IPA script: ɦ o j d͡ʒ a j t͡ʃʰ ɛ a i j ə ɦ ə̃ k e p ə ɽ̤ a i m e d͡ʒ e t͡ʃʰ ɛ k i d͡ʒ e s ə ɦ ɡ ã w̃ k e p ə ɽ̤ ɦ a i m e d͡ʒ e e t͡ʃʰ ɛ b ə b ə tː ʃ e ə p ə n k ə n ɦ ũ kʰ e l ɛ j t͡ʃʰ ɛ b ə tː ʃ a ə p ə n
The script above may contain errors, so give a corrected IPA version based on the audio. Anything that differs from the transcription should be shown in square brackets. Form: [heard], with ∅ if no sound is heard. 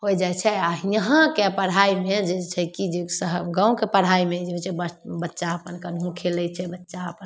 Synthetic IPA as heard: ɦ o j d͡ʒ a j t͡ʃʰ ɛ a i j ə ɦ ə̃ k e p ə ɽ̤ a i m e d͡ʒ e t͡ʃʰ ɛ k i d͡ʒ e s ə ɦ ɡ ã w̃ k e p ə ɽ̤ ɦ a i m e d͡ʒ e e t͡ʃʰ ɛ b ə b ə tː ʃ [a] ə p ə n k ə n ɦ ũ kʰ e l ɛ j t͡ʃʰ ɛ b ə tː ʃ a ə p ə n